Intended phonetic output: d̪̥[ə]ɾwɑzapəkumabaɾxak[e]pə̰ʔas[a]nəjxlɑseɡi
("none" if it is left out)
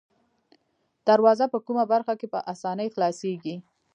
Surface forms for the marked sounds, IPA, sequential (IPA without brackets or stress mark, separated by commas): a, e, ɑ